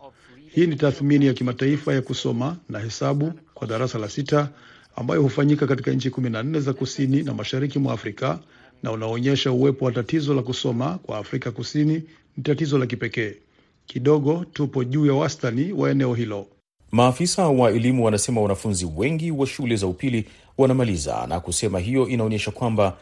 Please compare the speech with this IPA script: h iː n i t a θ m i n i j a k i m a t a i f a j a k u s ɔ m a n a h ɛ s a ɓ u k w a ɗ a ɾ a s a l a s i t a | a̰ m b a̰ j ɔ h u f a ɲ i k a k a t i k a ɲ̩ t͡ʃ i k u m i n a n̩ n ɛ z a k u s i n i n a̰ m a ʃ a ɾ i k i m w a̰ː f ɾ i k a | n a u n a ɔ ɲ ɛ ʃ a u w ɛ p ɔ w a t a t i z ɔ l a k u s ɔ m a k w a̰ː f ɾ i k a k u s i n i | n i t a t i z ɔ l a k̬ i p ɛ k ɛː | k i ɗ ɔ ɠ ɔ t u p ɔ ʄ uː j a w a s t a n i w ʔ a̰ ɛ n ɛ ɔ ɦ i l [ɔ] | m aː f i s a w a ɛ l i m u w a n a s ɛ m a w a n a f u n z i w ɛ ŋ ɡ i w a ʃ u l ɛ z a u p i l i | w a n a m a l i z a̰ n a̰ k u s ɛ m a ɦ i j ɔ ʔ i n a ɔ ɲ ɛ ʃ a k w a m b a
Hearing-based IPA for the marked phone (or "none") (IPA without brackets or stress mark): ɔ